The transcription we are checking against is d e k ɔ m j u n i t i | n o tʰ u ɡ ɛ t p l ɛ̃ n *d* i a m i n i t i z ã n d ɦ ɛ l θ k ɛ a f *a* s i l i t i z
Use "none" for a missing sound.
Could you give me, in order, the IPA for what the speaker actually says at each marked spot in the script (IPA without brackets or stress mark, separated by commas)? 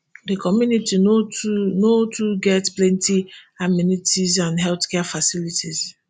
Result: t, a